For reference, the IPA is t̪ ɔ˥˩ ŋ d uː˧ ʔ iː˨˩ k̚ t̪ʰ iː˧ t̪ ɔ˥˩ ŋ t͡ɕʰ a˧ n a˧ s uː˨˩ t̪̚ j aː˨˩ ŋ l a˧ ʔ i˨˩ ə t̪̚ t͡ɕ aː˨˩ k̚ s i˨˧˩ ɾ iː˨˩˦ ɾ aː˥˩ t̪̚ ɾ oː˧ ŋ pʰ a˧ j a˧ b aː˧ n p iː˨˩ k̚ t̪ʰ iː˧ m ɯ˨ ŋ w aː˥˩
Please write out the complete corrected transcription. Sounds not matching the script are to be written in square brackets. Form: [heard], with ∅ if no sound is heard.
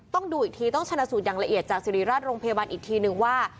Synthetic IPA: t̪ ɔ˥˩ ŋ d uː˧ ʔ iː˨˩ k̚ t̪ʰ iː˧ t̪ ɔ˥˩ ŋ t͡ɕʰ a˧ n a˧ s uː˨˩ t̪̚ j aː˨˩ ŋ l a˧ ʔ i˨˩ ə t̪̚ t͡ɕ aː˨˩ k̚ s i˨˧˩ ɾ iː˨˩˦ ɾ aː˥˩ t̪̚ ɾ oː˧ ŋ pʰ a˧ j a˧ b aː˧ n [ʔ] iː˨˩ k̚ t̪ʰ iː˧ [n] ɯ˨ ŋ w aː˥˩